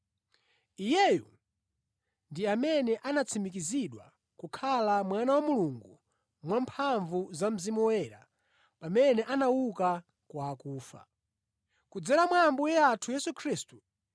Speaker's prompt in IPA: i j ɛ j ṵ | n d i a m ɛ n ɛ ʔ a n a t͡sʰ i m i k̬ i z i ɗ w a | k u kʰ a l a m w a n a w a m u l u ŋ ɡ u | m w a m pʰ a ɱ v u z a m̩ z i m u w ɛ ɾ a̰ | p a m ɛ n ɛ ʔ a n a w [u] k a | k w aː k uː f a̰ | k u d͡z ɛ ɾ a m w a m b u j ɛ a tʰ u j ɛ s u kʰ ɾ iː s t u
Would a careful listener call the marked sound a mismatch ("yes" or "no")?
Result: no